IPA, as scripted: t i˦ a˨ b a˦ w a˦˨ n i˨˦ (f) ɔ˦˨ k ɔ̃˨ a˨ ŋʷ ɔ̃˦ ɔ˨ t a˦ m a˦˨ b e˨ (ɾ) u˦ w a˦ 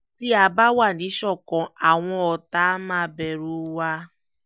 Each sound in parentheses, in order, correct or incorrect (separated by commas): incorrect, correct